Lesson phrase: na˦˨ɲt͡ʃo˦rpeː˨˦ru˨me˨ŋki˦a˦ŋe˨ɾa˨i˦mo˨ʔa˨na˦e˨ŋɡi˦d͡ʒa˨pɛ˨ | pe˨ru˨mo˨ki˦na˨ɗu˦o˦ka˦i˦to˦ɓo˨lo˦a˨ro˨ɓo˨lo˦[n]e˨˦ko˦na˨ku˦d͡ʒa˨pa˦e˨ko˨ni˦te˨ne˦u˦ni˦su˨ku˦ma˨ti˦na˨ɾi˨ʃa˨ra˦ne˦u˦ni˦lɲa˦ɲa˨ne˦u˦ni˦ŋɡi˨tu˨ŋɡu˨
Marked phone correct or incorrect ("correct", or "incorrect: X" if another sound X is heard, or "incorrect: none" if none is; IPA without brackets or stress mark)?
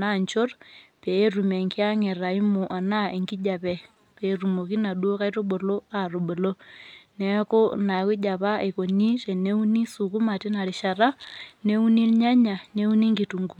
correct